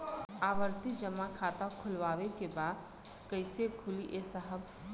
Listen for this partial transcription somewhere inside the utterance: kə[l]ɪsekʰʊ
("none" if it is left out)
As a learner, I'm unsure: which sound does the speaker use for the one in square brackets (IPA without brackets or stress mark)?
none